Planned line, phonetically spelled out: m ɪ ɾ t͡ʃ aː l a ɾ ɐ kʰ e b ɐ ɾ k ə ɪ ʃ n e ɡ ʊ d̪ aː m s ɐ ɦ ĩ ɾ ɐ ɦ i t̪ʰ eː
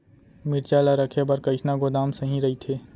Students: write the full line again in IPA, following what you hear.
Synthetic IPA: m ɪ ɾ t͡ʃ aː l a ɾ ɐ kʰ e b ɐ ɾ k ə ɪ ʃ n a ɡ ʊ d̪ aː m s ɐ ɦ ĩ ɾ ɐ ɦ i t̪ʰ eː

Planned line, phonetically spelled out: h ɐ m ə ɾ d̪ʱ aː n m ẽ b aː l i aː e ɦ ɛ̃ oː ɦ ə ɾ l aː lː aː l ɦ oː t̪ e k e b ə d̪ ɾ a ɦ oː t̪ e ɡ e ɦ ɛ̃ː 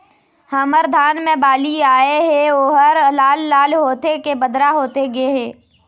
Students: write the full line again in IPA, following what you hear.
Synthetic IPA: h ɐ m ə ɾ d̪ʱ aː n m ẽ b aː l i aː e ɦ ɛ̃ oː ɦ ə ɾ l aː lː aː l ɦ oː t̪ e k e b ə d̪ ɾ a ɦ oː t̪ e ɡ e ɦ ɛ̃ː

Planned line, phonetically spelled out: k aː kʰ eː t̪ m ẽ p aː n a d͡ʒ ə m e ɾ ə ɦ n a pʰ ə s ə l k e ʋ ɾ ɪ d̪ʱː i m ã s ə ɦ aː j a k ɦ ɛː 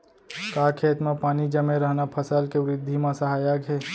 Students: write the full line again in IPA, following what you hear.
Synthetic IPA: k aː kʰ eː t̪ m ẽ p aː n i d͡ʒ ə m e ɾ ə ɦ n a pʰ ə s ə l k e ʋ ɾ ɪ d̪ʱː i m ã s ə ɦ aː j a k ɦ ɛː

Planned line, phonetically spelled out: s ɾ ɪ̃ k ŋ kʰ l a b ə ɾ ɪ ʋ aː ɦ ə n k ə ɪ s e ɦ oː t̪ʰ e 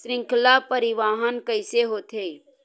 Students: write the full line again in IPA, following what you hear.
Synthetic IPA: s ɾ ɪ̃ ŋ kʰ l a p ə ɾ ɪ ʋ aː ɦ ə n k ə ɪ s e ɦ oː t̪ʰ e

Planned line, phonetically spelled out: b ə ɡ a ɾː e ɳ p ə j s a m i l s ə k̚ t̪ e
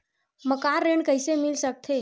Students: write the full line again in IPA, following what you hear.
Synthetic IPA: m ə k a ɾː e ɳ k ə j s e m i l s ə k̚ t̪ʰ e

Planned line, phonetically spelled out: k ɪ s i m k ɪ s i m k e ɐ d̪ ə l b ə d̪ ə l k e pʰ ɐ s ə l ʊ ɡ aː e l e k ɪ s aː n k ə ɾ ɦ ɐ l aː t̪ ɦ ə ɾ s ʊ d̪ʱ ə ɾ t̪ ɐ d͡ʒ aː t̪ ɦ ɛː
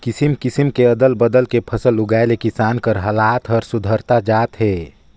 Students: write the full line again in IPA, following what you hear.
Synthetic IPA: k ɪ s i m k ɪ s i m k e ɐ d̪ ə l b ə d̪ ə l k e pʰ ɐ s ə l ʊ ɡ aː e l e k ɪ s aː n k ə ɾ ɦ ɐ l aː t̪ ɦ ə ɾ s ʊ d̪ʱ ə ɾ t̪ a d͡ʒ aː t̪ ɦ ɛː

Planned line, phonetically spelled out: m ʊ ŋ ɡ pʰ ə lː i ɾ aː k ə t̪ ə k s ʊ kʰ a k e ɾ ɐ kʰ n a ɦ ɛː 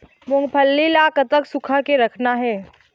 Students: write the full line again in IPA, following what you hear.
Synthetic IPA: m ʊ ŋ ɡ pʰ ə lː i l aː k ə t̪ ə k s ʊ kʰ a k e ɾ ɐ kʰ n a ɦ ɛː

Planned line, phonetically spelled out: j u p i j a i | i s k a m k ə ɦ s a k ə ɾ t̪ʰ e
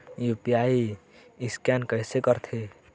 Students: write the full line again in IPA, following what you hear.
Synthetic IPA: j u p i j a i | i s k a n k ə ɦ s e k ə ɾ t̪ʰ e

